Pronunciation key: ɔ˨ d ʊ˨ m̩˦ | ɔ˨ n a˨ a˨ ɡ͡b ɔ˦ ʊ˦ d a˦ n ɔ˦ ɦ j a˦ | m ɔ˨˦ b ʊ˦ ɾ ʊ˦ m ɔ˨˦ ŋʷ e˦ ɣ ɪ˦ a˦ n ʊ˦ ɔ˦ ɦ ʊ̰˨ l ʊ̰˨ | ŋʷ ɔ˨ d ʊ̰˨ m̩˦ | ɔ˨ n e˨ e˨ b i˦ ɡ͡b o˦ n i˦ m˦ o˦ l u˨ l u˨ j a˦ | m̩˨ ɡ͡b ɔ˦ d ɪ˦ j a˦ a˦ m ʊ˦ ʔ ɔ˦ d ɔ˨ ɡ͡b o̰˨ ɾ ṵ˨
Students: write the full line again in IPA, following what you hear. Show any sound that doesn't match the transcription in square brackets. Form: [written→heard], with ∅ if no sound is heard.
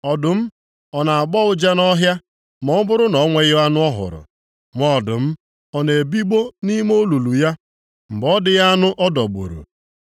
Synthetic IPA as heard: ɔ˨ d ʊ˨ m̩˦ | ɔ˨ n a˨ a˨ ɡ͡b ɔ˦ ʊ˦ [d→d͡ʒ] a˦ n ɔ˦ ɦ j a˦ | m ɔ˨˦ b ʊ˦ ɾ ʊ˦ [m→n] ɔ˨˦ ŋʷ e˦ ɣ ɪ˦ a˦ n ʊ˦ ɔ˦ ɦ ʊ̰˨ [l→ɾ] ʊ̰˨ | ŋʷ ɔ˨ d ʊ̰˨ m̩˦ | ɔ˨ n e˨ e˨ b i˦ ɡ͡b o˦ n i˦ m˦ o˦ l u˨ l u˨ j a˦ | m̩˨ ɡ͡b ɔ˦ d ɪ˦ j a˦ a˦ [m→n] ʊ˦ ʔ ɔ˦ d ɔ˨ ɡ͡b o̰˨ ɾ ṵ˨